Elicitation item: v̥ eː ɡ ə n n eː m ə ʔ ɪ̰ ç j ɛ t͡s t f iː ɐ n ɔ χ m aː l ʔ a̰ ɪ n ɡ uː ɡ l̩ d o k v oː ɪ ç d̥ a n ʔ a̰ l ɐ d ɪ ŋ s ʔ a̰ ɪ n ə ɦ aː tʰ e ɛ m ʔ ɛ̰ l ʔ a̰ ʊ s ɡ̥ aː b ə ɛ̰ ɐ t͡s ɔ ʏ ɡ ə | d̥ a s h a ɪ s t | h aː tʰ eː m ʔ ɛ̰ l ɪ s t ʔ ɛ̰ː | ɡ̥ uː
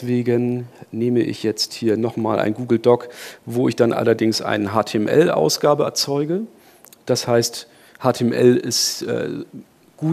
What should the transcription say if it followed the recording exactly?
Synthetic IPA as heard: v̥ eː ɡ ə n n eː m ə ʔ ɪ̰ ç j ɛ t͡s t h iː ɐ n ɔ χ m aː l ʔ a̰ ɪ n ɡ uː ɡ l̩ d ɔ k v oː ɪ ç d̥ a n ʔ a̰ l ɐ d ɪ ŋ s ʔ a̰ ɪ n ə ɦ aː tʰ e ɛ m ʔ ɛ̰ l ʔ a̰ ʊ s ɡ̥ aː b ə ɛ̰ ɐ t͡s ɔ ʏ ɡ ə | d̥ a s h a ɪ s t | h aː tʰ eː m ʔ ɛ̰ l ɪ s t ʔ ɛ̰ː | ɡ̥ uː